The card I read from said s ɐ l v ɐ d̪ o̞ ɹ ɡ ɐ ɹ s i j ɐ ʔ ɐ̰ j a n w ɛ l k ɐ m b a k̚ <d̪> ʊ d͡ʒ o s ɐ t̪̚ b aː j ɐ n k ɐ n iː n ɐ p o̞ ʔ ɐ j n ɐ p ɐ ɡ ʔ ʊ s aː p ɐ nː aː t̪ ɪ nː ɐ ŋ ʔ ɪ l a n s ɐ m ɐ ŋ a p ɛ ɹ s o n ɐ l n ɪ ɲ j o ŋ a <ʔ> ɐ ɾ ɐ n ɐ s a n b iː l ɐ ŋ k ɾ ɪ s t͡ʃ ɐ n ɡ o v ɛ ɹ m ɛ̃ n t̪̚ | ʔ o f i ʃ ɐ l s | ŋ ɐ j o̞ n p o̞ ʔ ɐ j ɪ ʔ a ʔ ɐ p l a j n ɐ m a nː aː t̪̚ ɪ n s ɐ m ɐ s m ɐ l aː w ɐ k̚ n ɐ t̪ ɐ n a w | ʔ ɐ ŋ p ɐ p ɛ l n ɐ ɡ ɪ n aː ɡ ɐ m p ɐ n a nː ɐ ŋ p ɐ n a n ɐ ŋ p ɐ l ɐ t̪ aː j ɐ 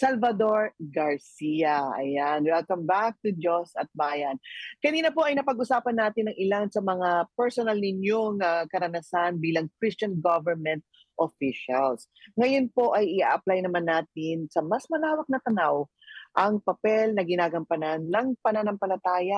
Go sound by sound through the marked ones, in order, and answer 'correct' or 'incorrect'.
incorrect, incorrect

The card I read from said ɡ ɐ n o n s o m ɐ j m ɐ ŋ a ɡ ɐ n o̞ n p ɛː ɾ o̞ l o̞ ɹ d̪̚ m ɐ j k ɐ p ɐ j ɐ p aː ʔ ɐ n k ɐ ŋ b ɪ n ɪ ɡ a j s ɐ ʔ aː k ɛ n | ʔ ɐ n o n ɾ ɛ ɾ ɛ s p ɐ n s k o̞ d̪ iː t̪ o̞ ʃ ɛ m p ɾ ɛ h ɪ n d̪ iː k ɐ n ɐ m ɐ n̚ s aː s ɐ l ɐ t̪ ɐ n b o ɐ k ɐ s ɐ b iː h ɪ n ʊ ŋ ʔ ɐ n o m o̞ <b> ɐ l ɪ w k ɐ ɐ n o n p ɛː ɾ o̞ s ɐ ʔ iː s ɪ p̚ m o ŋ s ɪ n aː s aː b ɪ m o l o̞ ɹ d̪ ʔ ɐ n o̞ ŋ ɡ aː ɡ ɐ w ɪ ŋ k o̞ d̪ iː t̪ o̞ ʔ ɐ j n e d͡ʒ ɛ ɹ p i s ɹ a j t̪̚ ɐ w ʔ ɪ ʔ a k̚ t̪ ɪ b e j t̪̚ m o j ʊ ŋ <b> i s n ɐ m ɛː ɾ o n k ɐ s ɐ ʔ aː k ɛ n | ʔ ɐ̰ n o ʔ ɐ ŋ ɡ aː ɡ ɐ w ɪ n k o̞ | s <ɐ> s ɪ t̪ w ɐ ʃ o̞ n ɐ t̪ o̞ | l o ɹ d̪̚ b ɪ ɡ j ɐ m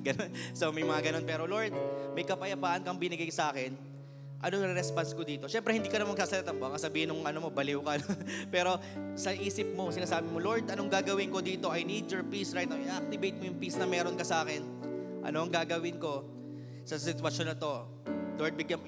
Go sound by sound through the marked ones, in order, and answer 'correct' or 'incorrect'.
correct, incorrect, correct

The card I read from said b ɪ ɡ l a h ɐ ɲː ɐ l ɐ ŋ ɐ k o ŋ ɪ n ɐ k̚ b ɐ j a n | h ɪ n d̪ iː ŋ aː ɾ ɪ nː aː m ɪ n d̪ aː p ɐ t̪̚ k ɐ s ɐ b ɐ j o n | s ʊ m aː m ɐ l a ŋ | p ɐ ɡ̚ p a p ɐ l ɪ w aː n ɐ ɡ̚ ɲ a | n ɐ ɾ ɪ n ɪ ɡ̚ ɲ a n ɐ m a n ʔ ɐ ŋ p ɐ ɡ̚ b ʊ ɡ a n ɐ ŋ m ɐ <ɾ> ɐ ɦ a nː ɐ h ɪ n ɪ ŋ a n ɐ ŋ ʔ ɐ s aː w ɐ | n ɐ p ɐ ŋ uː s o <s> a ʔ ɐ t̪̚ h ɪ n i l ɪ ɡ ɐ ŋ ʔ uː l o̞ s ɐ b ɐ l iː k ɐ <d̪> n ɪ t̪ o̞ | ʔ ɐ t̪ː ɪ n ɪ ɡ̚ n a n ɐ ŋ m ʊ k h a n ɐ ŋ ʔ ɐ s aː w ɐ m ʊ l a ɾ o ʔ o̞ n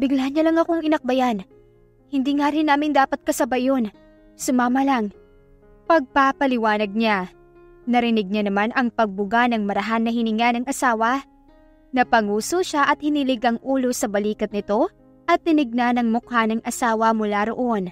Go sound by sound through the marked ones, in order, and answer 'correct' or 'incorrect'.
correct, incorrect, incorrect

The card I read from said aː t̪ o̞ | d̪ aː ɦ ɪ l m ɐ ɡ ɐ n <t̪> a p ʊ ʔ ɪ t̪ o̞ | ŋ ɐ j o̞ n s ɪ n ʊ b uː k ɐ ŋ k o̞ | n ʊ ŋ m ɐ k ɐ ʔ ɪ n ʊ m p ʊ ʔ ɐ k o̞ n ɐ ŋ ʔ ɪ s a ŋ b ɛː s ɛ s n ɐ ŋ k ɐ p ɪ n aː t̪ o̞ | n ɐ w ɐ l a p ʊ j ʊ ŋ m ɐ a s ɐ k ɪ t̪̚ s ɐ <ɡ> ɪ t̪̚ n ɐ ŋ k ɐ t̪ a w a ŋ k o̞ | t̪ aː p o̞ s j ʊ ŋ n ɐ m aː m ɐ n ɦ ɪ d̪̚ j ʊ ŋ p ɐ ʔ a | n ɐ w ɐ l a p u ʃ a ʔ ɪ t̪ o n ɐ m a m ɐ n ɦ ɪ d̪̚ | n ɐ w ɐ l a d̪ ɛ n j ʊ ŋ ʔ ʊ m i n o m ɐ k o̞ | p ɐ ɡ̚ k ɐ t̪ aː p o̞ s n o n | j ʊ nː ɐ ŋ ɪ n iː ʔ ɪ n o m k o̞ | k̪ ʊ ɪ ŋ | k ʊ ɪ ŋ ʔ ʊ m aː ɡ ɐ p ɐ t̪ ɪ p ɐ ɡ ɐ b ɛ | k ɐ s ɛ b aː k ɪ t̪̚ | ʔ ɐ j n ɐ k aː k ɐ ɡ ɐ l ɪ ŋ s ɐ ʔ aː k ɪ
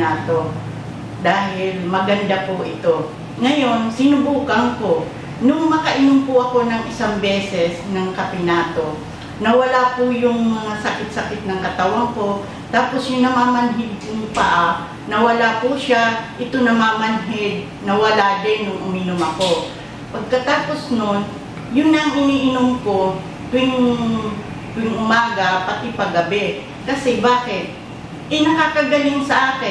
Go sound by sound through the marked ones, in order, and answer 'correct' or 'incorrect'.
incorrect, incorrect

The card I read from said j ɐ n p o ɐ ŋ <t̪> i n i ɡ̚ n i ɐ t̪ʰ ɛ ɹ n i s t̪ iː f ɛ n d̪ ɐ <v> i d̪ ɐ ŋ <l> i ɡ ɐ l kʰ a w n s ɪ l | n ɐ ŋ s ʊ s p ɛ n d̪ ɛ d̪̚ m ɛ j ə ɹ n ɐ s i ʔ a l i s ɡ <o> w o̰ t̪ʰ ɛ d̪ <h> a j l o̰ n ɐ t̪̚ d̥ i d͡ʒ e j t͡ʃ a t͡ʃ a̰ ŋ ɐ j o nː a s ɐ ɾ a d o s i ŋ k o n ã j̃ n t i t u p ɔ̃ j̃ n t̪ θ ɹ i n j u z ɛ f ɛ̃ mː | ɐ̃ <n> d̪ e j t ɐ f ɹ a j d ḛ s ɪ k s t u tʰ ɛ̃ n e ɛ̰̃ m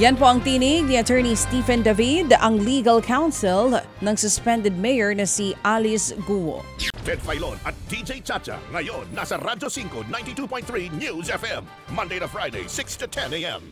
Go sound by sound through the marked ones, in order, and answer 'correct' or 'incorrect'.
correct, correct, correct, incorrect, incorrect, correct

